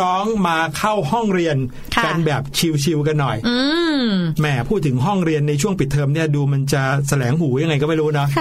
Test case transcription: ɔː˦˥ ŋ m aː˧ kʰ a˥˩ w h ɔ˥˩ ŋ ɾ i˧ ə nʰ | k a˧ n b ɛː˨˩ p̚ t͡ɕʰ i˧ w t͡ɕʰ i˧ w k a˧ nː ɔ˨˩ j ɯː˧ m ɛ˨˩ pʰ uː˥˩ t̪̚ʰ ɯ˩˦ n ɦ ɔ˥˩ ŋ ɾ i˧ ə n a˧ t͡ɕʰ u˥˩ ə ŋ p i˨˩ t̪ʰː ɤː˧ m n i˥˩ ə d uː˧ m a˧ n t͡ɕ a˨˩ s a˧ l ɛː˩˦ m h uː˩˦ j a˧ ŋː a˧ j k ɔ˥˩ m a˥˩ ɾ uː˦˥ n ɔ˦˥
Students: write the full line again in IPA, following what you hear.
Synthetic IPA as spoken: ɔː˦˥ ŋ m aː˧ kʰ a˥˩ w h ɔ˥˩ ŋ ɾ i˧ ə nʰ | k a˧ n b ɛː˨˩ p̚ t͡ɕʰ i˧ w t͡ɕʰ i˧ w k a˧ nː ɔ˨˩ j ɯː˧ m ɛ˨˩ pʰ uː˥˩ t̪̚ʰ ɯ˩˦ ŋ ɦ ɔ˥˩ ŋ ɾ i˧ ə nː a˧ t͡ɕʰ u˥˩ ə ŋ p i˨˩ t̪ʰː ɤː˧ m n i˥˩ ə d uː˧ m a˧ n t͡ɕ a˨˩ s a˧ l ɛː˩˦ ŋ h uː˩˦ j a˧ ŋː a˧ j k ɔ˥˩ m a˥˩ ɾ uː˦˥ n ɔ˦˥